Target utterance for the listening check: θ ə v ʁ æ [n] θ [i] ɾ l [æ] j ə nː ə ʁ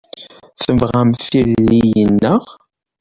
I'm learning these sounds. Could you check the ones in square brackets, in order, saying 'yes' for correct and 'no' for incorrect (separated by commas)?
no, yes, no